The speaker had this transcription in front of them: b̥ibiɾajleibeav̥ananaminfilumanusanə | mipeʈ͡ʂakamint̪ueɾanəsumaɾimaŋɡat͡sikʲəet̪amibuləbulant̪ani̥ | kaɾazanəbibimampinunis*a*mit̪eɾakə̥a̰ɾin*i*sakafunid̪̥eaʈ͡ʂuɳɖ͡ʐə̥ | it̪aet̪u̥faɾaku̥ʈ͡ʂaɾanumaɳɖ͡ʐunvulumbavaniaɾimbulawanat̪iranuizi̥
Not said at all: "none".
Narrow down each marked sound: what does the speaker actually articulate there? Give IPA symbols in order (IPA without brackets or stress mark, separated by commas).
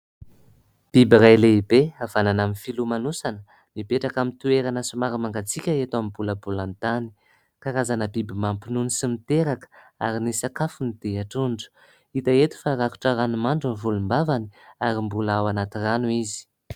i, i